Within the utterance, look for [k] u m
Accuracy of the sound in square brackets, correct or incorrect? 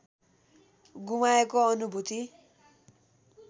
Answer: incorrect